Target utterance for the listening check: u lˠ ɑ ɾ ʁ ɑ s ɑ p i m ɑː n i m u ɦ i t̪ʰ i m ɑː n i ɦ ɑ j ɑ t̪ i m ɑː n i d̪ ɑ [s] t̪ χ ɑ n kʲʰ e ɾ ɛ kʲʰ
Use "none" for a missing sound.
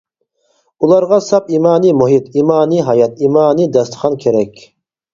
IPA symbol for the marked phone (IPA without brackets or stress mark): s